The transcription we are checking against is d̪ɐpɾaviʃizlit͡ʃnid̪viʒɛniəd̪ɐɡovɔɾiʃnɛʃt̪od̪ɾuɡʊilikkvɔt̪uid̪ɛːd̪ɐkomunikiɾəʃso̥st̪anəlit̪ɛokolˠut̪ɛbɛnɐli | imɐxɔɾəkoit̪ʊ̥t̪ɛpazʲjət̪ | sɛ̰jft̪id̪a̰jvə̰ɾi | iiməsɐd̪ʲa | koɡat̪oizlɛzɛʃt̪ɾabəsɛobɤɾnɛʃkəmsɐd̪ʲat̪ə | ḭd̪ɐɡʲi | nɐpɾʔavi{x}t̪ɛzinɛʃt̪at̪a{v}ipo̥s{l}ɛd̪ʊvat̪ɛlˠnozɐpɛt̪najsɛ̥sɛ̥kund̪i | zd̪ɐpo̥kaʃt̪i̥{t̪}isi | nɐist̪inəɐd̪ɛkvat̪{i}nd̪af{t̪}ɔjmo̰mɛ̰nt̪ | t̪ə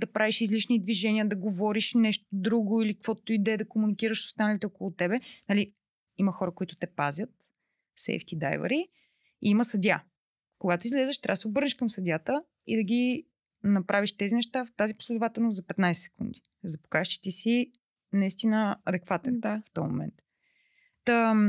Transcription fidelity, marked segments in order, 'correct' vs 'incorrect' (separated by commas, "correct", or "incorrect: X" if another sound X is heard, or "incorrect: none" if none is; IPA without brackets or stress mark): incorrect: ʃ, incorrect: z, correct, correct, incorrect: ɛ, correct